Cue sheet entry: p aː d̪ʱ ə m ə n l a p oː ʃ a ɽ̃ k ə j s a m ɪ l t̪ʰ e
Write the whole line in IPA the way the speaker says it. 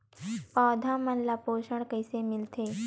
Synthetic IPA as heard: p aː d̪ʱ a m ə n l a p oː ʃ ə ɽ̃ k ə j s e m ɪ l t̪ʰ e

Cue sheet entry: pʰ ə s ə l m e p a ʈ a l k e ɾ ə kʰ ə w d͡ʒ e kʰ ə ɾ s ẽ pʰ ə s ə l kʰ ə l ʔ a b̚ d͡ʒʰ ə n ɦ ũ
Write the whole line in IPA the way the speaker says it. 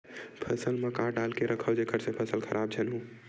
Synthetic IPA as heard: pʰ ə s ə l m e k a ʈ a l k e ɾ ə kʰ ə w d͡ʒ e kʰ ə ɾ s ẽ pʰ ə s ə l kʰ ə ɾ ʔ a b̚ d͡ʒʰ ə n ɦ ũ

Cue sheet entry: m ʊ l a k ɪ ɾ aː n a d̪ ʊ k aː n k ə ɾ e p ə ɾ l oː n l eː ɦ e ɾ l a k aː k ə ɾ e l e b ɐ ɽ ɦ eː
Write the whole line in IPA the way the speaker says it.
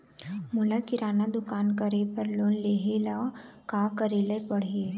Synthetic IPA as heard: m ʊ l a k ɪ ɾ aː n a d̪ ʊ k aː n k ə ɾ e p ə ɾ l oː n l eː ɦ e l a k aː k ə ɾ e l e p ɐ ɽ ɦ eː

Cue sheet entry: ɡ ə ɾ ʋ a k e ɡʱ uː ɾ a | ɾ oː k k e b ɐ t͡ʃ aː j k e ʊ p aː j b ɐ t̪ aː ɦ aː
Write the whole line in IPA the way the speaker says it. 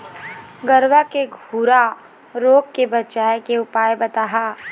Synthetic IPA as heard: ɡ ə ɾ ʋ a k e ɡʱ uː ɾ a | ɾ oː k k e b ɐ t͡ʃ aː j k e ʊ p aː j b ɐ t̪ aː ɦ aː

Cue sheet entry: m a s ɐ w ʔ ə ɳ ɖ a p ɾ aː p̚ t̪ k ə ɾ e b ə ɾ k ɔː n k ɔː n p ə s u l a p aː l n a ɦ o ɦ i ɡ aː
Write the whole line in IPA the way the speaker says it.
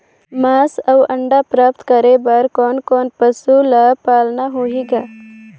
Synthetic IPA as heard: m a s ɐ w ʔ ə ɳ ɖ a p ɾ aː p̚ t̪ k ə ɾ e b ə ɾ k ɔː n k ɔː n p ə s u l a p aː l n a ɦ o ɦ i ɡ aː

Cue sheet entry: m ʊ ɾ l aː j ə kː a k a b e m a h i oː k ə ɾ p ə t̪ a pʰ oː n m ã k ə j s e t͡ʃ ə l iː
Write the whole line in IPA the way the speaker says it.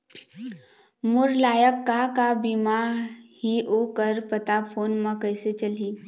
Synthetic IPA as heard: m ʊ ɾ l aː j ə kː a k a b i m a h i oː k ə ɾ p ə t̪ a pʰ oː n m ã k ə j s e t͡ʃ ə l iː

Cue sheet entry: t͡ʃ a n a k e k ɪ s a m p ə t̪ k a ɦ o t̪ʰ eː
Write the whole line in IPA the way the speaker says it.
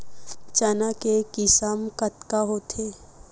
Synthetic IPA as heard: t͡ʃ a n a k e k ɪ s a m k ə t̪ k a ɦ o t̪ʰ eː

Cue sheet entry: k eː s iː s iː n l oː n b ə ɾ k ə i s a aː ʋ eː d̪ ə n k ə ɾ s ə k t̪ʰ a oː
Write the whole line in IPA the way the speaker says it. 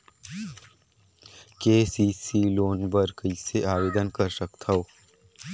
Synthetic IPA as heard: k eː s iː s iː l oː n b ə ɾ k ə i s e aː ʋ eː d̪ ə n k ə ɾ s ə k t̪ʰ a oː

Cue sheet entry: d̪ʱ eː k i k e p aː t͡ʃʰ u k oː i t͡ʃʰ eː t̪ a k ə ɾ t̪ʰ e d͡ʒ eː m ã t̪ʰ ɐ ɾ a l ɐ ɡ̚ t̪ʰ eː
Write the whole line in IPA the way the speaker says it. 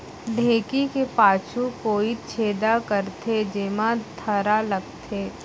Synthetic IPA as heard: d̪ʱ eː k i k e p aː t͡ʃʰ u k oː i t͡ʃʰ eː d̪ a k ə ɾ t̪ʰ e d͡ʒ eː m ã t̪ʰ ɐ ɾ a l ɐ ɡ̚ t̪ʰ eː

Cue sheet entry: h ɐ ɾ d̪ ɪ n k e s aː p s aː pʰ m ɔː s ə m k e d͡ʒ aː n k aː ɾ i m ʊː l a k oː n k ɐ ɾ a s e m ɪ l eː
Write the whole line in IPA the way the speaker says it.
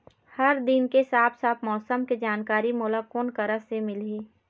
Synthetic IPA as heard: h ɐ ɾ d̪ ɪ n k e s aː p s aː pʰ m ɔː s ə m k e d͡ʒ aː n k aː ɾ i m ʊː l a k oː n k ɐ ɾ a s e m ɪ l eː

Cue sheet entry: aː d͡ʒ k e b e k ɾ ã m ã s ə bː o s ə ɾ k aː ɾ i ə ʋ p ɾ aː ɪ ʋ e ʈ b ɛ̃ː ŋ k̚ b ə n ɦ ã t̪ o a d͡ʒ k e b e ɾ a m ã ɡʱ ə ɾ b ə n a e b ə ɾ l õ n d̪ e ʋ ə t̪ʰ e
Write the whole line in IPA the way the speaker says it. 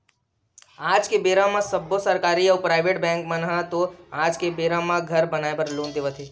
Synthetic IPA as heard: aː d͡ʒ k e b e ɾ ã m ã s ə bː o s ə ɾ k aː ɾ i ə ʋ p ɾ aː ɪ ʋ e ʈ b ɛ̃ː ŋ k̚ m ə n ɦ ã t̪ o a d͡ʒ k e b e ɾ a m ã ɡʱ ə ɾ b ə n a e b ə ɾ l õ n d̪ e ʋ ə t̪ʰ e

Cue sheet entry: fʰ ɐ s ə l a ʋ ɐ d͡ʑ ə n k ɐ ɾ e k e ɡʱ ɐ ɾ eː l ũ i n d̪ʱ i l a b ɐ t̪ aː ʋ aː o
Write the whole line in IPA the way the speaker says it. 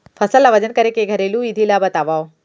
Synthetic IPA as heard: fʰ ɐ s ə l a ʋ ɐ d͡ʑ ə n k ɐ ɾ e k e ɡʱ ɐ ɾ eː l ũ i d̪ʱ i l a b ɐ t̪ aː ʋ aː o

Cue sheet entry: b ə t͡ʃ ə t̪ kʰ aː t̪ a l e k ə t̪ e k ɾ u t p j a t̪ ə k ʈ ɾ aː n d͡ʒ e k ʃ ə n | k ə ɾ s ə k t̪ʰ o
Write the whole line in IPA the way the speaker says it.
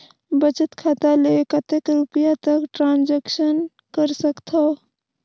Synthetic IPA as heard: b ə t͡ʃ ə t̪ kʰ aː t̪ a l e k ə t̪ e k ɾ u t p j a t̪ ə k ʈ ɾ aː n d͡ʒ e k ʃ ə n | k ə ɾ s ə k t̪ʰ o

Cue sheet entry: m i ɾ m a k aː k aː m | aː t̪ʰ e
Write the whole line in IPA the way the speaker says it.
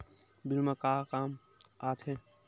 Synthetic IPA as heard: b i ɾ m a k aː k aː m | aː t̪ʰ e

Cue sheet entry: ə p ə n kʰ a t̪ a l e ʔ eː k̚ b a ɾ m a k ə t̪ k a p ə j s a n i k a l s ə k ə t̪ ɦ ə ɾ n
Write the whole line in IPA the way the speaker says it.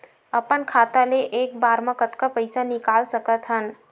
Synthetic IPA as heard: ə p ə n kʰ a t̪ a l e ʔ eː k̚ b a ɾ m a k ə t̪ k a p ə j s a n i k a l s ə k ə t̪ ɦ ə n

